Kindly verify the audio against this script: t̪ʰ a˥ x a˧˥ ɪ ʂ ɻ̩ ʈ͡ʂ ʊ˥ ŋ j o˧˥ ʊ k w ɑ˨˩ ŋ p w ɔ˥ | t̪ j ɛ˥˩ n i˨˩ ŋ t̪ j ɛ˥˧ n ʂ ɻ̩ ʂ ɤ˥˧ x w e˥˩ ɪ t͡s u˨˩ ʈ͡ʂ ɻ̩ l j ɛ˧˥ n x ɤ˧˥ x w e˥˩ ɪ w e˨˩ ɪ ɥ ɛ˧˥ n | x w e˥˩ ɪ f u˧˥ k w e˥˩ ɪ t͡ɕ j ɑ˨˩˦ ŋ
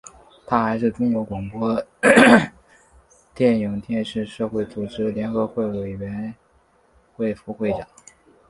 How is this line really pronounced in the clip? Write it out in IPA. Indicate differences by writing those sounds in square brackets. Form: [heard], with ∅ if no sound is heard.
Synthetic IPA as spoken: t̪ʰ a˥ x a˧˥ ɪ ʂ ɻ̩ ʈ͡ʂ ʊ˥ ŋ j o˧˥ ʊ k w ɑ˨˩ ŋ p w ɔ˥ | t̪ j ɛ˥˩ n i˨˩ ŋ t̪ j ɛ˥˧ n ʂ ɻ̩ ʂ ɤ˥˧ x w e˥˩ ɪ t͡s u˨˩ ʈ͡ʂ ɻ̩ l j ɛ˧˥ n x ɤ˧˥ x w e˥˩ ɪ w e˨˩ ɪ ɥ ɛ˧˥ n | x w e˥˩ ɪ f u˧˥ [x] w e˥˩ ɪ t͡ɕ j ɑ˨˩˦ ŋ